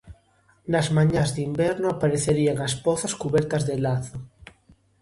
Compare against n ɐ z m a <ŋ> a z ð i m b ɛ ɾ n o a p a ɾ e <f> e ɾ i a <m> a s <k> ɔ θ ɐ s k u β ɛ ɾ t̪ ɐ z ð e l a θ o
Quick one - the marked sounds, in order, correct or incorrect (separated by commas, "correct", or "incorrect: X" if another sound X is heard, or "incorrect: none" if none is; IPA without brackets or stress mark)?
incorrect: ɲ, incorrect: θ, incorrect: ŋ, incorrect: p